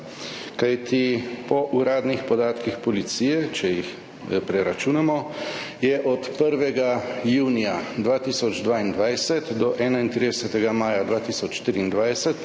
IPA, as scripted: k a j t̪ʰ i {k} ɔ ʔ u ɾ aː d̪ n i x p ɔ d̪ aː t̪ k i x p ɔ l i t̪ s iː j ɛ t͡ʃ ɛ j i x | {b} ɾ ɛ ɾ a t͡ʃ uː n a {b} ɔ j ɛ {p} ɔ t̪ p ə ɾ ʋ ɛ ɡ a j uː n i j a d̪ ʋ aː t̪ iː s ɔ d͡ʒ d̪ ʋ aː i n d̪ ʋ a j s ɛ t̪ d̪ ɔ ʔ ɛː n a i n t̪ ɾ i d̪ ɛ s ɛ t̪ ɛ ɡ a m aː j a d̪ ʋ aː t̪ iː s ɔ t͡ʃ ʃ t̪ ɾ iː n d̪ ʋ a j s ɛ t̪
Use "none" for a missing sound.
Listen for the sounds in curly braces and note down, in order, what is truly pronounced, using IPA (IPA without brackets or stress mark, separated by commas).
p, p, m, ʔ